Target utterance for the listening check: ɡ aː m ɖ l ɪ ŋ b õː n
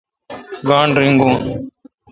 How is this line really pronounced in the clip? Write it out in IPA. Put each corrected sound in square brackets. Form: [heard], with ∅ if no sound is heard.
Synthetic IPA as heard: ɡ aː [ɳ] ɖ [ɾ] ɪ ŋ [ɡ] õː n